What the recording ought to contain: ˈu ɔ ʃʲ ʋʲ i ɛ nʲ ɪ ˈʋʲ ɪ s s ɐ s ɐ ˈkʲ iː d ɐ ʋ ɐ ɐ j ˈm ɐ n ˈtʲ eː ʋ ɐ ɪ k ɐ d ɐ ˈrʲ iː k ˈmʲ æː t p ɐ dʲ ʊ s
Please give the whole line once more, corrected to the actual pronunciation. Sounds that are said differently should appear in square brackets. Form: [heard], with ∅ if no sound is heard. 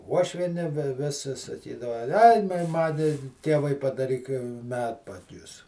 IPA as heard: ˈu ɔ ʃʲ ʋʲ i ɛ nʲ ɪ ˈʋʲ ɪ s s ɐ s ɐ ˈkʲ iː d ɐ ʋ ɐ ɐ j ˈm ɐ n ˈtʲ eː ʋ ɐ ɪ [p] ɐ d ɐ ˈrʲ iː k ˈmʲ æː t p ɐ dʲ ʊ s